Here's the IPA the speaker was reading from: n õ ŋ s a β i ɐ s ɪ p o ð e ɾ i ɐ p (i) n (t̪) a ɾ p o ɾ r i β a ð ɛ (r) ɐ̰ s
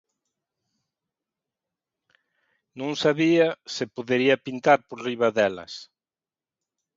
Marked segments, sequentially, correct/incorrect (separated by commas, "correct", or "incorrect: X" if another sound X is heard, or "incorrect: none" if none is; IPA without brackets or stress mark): correct, correct, incorrect: l